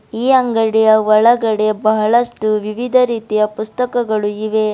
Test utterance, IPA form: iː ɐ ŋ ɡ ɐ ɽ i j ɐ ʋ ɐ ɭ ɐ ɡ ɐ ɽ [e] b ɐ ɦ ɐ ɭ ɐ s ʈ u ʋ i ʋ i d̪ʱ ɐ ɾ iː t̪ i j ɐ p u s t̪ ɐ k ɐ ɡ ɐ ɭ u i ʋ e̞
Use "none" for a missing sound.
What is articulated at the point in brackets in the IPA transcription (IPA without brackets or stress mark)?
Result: e